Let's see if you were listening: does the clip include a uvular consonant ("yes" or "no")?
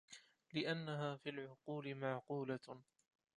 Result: yes